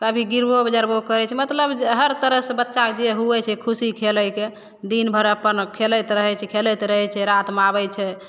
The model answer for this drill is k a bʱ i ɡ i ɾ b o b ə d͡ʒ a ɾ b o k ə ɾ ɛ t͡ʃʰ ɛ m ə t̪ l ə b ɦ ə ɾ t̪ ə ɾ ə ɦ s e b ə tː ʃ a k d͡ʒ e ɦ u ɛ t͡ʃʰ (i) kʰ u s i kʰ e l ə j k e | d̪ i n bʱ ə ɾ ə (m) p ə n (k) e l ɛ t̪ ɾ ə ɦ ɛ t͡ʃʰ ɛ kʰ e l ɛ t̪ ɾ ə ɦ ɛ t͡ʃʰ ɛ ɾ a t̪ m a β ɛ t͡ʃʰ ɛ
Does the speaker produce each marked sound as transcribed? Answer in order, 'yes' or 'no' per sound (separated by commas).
no, no, no